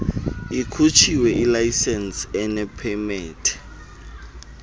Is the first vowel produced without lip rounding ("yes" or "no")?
yes